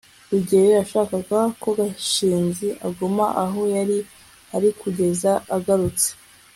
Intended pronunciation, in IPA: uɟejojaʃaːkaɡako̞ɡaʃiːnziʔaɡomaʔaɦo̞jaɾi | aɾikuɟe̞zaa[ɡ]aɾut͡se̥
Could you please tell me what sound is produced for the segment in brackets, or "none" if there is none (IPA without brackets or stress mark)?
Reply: ɡ